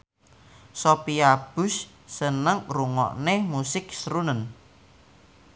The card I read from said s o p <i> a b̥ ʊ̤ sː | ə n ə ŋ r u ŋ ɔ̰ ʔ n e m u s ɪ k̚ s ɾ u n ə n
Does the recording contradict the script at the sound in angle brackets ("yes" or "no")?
no